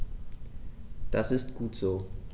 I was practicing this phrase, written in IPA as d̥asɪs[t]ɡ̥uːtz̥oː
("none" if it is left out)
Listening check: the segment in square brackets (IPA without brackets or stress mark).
t